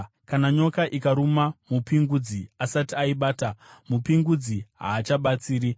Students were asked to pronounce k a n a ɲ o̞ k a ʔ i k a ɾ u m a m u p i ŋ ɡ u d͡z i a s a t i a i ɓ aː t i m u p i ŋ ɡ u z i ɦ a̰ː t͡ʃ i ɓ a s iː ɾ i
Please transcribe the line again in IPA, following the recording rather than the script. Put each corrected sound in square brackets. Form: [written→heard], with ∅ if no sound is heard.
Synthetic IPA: k a n a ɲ o̞ k a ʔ i k a ɾ u m a m u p i ŋ ɡ u d͡z i a s a t i a i ɓ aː t [i→a] m u p i ŋ ɡ u [z→d͡z] i ɦ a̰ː t͡ʃ [i→a] ɓ a [s→t͡s] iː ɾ i